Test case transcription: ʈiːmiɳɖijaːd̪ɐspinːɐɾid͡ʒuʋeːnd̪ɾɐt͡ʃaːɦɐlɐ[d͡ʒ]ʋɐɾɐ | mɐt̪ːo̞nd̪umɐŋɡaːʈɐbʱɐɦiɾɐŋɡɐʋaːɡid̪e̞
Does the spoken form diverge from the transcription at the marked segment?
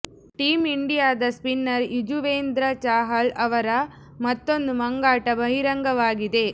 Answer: yes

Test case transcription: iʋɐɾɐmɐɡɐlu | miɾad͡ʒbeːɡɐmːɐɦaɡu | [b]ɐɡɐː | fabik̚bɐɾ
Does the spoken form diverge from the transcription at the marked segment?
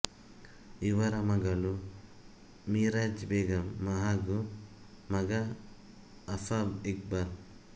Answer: yes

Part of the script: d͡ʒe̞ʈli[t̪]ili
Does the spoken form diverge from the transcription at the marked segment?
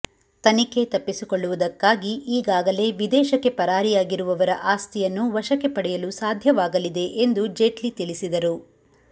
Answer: no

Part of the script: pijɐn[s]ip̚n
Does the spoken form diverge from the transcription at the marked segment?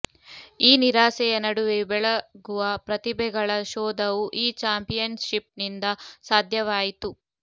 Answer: yes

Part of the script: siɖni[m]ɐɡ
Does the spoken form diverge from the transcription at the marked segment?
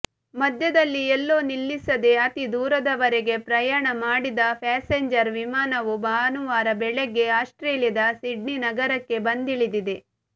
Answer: yes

